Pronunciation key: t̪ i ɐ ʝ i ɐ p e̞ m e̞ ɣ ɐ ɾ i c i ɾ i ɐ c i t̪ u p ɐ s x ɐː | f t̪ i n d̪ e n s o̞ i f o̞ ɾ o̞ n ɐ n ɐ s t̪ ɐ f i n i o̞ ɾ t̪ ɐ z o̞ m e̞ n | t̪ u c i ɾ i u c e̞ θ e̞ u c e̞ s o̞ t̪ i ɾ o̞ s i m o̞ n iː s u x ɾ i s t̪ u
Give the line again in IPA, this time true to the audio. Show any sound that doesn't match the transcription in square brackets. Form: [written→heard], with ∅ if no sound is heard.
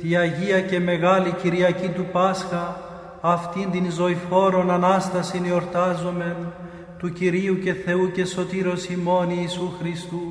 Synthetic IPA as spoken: t̪ i ɐ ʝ i ɐ [p→c] e̞ m e̞ ɣ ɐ [ɾ→l] i c i ɾ i ɐ c i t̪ u p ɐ s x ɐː | f t̪ i n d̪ [e→i] n [s→z] o̞ i f o̞ ɾ o̞ n ɐ n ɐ s t̪ ɐ [f→s] i n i o̞ ɾ t̪ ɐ z o̞ m e̞ n | t̪ u c i ɾ i u c e̞ θ e̞ u c e̞ s o̞ t̪ i ɾ o̞ s i m o̞ n iː s u x ɾ i s t̪ u